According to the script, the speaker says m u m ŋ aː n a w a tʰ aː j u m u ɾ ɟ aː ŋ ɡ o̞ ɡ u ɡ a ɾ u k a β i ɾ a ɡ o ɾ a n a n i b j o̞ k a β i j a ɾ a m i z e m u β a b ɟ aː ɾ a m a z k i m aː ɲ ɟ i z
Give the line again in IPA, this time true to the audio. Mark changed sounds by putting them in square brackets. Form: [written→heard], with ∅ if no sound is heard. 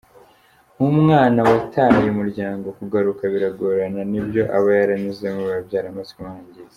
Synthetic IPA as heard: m u m ŋ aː n a w a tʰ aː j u m u ɾ ɟ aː ŋ ɡ o̞ [ɡ→k] u ɡ a ɾ u k a β i ɾ a ɡ o ɾ a n a n i b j o̞ [k→ʔ] a β [i→a] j a ɾ a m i z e m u β a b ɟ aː ɾ a m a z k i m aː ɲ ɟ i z